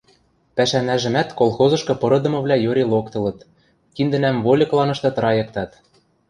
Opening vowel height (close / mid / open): open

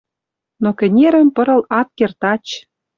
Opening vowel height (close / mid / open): mid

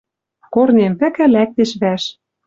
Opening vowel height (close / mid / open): mid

